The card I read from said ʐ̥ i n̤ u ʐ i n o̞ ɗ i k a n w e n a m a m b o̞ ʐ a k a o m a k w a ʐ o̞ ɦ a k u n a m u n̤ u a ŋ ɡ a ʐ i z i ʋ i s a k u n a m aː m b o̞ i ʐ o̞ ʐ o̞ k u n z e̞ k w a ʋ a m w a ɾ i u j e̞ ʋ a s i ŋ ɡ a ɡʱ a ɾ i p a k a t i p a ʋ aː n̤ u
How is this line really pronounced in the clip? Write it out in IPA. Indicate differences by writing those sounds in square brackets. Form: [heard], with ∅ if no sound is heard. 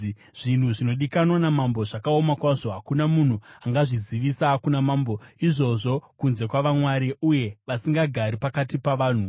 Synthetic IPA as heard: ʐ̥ i n̤ u ʐ i n o̞ ɗ i k a n w [a] n a m a m b o̞ ʐ a k a o m a k w a ʐ o̞ ɦ a k u n a m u n̤ u a ŋ ɡ a ʐ i z i ʋ i s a k u n a m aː m b o̞ i ʐ o̞ ʐ o̞ k u n z e̞ k w a ʋ a m w a ɾ i u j e̞ ʋ a s i ŋ ɡ a ɡʱ a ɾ i p a k a t i p a ʋ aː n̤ u